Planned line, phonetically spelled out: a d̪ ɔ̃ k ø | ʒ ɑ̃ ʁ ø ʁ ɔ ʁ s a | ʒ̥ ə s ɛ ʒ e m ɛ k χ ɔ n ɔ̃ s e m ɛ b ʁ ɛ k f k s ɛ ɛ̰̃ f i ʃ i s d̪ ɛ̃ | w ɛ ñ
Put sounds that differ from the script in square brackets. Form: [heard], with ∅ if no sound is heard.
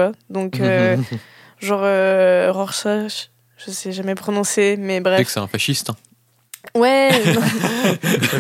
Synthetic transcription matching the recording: a d̪ ɔ̃ k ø | ʒ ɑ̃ ʁ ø ʁ ɔ ʁ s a | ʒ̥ ə s ɛ ʒ [a] m ɛ [p] χ ɔ n ɔ̃ s e m ɛ b ʁ ɛ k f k s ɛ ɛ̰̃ f [a] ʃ i s [t̪] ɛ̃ | w ɛ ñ